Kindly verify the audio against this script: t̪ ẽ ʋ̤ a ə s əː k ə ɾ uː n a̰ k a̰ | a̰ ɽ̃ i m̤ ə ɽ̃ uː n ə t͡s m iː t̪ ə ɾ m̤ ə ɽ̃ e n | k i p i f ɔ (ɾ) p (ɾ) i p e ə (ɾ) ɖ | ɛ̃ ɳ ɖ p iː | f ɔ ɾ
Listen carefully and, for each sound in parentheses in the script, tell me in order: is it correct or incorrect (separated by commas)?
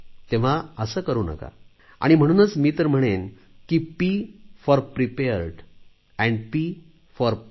correct, correct, correct